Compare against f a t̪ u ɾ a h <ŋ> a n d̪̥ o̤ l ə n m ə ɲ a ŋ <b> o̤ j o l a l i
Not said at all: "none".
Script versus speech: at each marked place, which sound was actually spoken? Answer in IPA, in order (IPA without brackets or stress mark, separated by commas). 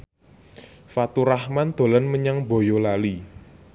m, b